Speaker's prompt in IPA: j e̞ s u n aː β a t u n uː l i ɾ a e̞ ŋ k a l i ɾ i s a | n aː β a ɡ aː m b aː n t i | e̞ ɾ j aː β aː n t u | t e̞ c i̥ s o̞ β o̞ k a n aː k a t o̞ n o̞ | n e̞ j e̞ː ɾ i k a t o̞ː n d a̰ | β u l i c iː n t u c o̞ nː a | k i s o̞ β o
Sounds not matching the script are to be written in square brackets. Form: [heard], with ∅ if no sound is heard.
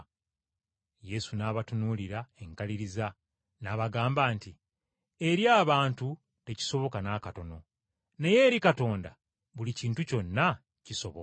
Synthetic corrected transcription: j e̞ s u n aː β a t u n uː l i ɾ a e̞ ŋ k a l i ɾ i [z] a | n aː β a ɡ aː m b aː n t i | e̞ ɾ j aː β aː n t u | t e̞ c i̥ s o̞ β o̞ k a n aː k a t o̞ n o̞ | n e̞ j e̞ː ɾ i k a t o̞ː n d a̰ | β u l i c iː n t u c o̞ nː a | [c] i s o̞ β o